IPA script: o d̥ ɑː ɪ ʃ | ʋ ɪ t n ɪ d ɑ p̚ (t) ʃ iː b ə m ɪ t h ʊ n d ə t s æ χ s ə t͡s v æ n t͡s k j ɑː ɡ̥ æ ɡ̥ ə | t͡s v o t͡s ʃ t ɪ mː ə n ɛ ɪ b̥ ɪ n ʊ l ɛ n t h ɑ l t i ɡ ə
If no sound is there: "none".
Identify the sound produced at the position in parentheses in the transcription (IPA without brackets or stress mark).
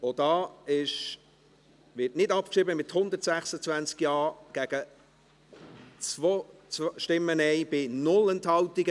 k